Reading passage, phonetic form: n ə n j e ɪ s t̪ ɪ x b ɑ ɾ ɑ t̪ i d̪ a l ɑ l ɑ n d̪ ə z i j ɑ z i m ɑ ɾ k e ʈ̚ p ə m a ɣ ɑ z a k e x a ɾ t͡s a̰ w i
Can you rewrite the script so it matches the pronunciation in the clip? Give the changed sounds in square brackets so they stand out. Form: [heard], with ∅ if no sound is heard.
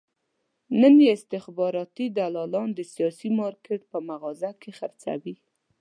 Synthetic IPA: n ə n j e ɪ s t̪ ɪ x b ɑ ɾ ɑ t̪ i d̪ a l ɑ l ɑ n d̪ ə [s] i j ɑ [s] i m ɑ ɾ k e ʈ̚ p ə m a ɣ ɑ z a k e x a ɾ t͡s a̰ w i